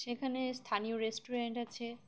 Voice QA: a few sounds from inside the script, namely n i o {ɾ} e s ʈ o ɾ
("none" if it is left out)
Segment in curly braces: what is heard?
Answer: ɾ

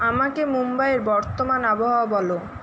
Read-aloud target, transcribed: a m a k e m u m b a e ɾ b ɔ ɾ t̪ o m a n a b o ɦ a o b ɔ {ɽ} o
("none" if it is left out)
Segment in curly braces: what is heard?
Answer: l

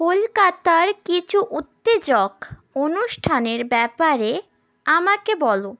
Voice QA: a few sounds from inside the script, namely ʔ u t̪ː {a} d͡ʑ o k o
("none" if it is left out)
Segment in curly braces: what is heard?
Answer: e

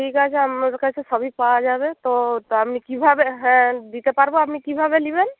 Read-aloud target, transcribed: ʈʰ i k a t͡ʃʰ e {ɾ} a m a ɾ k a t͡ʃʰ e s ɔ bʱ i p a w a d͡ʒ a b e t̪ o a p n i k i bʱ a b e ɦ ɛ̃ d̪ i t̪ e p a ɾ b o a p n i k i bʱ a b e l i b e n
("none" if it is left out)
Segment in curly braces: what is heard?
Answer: none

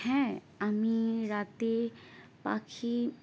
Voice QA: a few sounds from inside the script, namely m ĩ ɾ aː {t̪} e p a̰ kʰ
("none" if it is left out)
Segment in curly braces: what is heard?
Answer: t̪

